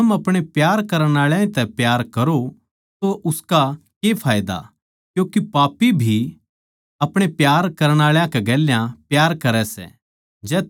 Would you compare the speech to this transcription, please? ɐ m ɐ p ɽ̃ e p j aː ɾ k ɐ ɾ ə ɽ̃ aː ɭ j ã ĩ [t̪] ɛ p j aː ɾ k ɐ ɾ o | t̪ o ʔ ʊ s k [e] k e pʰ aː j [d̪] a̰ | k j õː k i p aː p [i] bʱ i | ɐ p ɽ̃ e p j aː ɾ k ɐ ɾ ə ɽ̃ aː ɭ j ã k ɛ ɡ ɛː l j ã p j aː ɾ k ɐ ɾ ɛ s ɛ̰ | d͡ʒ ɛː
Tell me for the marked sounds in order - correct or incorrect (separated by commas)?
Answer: correct, incorrect, correct, correct